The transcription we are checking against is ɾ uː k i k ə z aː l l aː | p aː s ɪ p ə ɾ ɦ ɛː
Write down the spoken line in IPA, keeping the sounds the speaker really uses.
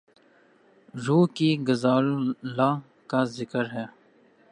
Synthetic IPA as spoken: ɾ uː k i ɡ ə z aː l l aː | k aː z ɪ k ə ɾ ɦ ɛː